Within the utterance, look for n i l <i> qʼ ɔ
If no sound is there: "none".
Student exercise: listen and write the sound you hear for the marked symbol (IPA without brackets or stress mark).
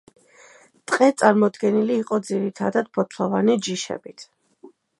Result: iː